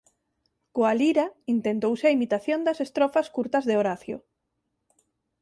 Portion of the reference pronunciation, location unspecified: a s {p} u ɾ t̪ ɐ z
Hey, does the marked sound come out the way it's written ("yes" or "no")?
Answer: no